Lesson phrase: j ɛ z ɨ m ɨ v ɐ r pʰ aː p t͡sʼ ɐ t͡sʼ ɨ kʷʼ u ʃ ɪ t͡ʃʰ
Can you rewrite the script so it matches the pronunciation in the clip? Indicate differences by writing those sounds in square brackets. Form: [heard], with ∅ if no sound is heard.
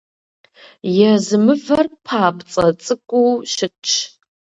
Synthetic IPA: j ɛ z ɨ m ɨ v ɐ r pʰ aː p t͡sʼ ɐ t͡sʼ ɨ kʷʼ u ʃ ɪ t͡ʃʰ